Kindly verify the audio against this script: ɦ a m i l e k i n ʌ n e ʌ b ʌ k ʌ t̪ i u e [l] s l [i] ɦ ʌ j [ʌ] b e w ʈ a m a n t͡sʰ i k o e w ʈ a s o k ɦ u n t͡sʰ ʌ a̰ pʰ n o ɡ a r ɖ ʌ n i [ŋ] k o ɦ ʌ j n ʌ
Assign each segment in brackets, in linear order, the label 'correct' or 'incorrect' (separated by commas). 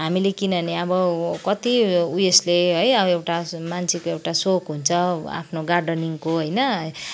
incorrect, incorrect, correct, correct